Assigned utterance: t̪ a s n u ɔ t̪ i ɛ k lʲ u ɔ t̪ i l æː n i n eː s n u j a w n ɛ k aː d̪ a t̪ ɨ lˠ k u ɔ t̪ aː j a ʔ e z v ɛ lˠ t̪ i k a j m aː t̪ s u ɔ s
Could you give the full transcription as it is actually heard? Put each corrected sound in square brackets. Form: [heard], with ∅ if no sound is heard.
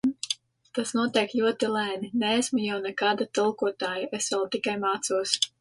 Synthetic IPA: t̪ a s n u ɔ t̪ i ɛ k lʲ u ɔ t̪ i l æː n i n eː s [m] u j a w n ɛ k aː d̪ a t̪ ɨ lˠ k u ɔ t̪ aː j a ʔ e [s] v ɛ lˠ t̪ i k a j m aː t̪ s u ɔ s